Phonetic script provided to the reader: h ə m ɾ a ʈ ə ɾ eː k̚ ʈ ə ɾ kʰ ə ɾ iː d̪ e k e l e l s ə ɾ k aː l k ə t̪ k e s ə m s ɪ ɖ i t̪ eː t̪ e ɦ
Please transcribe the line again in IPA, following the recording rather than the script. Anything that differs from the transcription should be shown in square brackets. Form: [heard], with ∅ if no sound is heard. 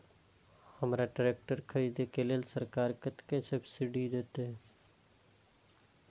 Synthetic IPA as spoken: h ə m ɾ a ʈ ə ɾ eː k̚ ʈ ə ɾ kʰ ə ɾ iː d̪ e k e l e l s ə ɾ k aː [ɾ] k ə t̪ k e s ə [b] s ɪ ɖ i [d̪] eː t̪ e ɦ